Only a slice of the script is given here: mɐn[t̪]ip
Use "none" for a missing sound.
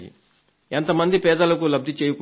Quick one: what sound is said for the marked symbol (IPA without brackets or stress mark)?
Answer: d̪